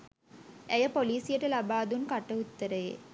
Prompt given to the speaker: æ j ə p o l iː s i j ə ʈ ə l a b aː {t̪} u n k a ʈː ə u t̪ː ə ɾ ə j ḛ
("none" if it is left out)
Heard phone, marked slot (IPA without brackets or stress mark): d̪